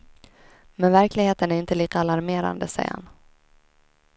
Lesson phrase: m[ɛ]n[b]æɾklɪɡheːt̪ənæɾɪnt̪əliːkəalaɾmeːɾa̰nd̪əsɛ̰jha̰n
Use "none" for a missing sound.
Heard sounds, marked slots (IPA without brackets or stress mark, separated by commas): ɛ, v